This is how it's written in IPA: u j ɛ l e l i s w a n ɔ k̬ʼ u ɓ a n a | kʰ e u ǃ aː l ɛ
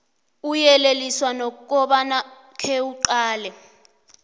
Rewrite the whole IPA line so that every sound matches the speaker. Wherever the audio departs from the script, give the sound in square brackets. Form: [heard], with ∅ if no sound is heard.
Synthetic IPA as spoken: u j ɛ l e l i s w a n ɔ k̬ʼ [ɔ] ɓ a n a | kʰ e u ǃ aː l ɛ